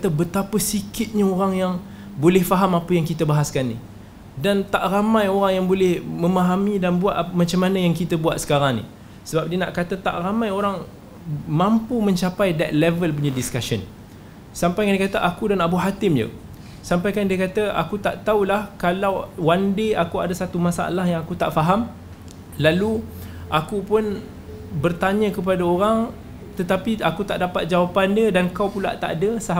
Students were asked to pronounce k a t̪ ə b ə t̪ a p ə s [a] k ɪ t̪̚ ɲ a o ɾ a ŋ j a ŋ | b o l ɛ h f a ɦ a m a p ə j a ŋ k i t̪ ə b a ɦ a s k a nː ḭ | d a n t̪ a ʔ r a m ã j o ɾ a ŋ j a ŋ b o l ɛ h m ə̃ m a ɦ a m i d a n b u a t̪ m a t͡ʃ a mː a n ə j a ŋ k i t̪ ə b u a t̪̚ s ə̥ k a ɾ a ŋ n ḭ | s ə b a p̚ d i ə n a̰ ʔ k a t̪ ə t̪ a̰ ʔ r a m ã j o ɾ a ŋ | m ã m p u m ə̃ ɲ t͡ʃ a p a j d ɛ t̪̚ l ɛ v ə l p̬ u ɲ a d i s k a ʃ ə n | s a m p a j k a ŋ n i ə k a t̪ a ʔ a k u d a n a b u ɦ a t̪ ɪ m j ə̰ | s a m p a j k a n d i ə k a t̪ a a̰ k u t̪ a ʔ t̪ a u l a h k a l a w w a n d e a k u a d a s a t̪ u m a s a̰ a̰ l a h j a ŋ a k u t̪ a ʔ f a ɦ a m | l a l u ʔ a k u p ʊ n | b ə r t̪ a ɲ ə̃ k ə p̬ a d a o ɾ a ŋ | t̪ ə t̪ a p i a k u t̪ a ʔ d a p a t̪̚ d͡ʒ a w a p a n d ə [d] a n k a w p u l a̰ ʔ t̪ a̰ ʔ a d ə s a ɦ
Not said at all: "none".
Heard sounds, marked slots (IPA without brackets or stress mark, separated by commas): i, d